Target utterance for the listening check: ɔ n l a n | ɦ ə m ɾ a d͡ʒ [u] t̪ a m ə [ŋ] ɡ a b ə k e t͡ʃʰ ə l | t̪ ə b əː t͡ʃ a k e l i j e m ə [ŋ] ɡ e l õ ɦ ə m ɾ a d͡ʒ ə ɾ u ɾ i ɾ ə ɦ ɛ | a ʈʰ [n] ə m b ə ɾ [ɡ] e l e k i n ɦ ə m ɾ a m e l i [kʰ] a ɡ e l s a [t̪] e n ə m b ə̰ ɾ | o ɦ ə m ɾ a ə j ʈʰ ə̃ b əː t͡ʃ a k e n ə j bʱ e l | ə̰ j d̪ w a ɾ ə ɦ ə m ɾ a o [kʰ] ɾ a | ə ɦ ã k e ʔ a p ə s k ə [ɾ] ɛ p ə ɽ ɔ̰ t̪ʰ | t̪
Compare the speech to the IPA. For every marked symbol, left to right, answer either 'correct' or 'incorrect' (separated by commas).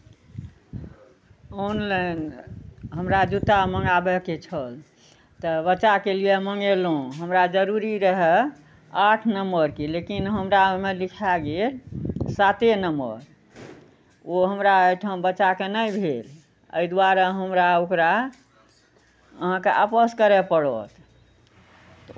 correct, correct, correct, correct, incorrect, correct, correct, incorrect, correct